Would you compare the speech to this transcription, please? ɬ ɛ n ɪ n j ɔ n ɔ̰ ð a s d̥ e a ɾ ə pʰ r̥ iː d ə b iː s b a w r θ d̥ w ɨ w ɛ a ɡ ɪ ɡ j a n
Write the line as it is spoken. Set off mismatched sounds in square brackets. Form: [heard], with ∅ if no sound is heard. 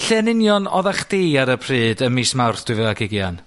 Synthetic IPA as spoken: ɬ ɛ n ɪ n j ɔ n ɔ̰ ð a [χ] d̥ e a ɾ ə pʰ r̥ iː d ə [m] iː s [m] a w r θ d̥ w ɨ [v] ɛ a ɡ ɪ ɡ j a n